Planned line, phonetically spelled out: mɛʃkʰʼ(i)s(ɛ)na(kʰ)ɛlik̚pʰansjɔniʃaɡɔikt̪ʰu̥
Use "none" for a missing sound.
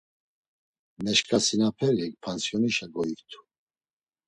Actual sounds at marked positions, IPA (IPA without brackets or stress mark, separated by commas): a, i, pʰ